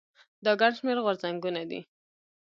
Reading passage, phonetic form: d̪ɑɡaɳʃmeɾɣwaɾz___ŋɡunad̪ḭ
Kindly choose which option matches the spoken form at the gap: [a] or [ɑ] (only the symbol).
a